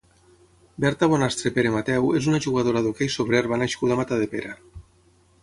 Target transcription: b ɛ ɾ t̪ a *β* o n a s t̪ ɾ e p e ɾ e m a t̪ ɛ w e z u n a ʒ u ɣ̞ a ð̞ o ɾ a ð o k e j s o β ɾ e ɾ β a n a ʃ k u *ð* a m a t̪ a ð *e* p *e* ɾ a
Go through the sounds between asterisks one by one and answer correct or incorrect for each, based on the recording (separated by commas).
correct, correct, correct, correct